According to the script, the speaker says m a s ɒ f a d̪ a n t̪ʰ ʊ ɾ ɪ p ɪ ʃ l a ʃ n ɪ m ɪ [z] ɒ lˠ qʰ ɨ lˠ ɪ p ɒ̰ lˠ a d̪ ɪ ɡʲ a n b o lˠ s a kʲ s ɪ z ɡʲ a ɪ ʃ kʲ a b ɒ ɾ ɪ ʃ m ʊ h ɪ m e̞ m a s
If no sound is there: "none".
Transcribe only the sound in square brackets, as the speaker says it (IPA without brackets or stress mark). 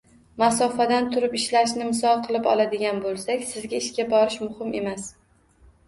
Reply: s